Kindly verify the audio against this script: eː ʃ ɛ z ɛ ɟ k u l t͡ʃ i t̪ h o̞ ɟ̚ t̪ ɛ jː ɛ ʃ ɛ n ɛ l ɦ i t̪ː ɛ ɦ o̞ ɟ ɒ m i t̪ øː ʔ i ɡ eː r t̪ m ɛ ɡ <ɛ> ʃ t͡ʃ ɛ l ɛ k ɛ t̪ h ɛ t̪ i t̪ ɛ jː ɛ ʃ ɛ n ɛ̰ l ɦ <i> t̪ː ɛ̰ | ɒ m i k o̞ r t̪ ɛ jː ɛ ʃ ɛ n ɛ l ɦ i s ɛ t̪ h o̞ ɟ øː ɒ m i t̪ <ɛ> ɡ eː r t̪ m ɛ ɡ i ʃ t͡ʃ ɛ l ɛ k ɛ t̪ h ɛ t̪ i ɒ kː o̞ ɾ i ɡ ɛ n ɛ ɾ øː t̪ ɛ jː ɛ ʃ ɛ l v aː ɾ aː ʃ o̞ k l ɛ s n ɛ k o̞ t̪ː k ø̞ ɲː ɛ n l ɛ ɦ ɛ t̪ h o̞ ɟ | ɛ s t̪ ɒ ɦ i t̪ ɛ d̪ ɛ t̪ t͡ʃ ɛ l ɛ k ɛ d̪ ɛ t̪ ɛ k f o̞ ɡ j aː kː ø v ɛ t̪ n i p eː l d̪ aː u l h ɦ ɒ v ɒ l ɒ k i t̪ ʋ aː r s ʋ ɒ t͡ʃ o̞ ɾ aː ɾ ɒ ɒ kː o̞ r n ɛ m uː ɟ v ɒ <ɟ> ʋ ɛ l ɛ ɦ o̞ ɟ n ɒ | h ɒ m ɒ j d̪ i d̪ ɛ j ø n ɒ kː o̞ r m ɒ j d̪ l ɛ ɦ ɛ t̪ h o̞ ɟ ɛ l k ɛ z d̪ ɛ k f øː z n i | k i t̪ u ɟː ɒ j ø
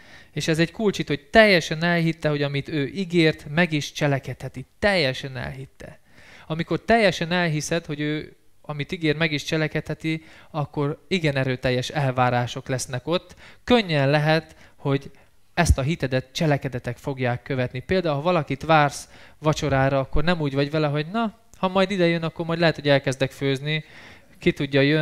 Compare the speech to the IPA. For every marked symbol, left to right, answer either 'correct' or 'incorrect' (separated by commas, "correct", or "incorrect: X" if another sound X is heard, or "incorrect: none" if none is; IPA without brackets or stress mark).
incorrect: i, correct, incorrect: i, correct